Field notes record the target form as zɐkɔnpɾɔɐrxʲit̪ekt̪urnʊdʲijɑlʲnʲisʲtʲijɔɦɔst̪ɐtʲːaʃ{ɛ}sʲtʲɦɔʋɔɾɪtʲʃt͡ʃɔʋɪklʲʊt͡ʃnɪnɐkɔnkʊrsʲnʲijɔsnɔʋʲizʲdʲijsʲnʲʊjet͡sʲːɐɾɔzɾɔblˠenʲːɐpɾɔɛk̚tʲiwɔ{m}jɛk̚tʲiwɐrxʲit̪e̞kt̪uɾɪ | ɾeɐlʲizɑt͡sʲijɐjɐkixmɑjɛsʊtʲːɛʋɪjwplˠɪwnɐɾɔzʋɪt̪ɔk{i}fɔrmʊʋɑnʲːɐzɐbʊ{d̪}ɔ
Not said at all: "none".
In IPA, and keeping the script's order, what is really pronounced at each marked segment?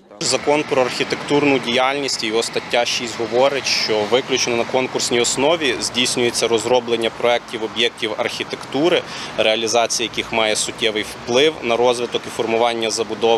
i, b, i, d̪

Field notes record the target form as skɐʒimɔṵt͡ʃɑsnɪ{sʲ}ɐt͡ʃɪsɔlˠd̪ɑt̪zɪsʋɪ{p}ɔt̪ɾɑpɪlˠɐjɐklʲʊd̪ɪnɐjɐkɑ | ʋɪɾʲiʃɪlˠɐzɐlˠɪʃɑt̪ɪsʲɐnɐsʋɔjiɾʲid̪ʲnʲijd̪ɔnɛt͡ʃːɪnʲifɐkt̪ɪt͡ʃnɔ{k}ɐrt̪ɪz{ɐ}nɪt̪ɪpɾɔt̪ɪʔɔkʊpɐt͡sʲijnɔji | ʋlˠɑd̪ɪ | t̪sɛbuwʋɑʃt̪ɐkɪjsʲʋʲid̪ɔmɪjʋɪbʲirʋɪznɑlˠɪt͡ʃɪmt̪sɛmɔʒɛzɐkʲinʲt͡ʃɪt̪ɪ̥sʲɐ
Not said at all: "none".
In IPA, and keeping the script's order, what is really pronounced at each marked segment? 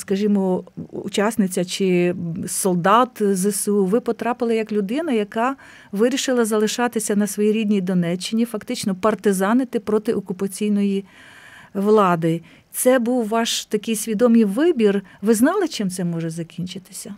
t͡sʲ, p, p, ɑ

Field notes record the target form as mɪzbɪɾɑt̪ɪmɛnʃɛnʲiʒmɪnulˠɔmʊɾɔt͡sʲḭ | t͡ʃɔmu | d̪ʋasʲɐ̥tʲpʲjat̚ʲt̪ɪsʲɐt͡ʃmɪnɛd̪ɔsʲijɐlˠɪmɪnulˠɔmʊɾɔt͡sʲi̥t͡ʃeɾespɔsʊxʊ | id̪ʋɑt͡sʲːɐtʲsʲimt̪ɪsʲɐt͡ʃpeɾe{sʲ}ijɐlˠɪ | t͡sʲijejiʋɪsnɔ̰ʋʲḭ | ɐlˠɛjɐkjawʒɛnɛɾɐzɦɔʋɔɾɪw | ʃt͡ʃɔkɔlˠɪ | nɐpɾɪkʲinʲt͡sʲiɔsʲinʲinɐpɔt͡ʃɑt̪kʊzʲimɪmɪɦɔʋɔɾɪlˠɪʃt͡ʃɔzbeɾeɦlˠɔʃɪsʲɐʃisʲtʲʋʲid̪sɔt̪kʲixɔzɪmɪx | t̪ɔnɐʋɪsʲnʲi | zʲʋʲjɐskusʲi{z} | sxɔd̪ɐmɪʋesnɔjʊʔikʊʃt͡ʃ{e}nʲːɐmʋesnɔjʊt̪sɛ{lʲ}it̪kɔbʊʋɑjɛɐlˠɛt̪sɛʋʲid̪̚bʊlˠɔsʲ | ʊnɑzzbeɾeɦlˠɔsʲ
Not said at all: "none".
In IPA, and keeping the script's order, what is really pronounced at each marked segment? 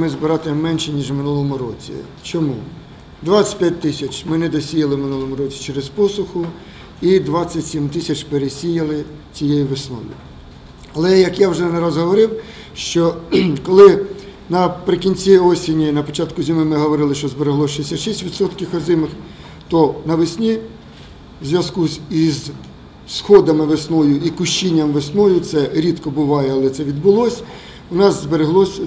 sʲ, z, i, ɾʲ

